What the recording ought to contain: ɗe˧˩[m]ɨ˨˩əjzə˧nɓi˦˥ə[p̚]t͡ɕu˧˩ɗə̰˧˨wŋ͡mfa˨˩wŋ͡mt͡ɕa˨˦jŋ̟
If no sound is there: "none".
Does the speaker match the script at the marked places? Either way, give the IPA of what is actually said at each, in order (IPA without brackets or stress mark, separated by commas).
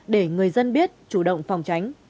ŋ, t̚